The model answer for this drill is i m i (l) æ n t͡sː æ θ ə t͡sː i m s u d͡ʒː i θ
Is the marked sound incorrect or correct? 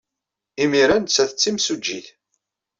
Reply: incorrect